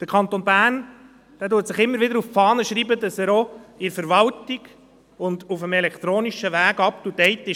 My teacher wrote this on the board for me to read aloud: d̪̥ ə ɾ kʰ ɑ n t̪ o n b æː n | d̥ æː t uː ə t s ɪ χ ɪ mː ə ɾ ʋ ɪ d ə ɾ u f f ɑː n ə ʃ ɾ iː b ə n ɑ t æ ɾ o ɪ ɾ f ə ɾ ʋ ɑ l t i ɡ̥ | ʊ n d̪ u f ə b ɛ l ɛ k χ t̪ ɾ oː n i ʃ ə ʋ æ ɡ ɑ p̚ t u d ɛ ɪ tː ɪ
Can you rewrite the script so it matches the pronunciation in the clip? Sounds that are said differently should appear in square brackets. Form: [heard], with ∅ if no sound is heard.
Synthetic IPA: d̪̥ ə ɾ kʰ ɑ n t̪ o n b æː n | d̥ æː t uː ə t s ɪ χ ɪ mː ə ɾ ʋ ɪ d ə ɾ u f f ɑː n ə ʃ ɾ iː b ə [d] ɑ [s] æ ɾ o ɪ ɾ f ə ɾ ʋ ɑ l t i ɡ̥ | ʊ n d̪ u f ə [m] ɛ l ɛ k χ t̪ ɾ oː n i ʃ ə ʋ [æː] ɡ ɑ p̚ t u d ɛ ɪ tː ɪ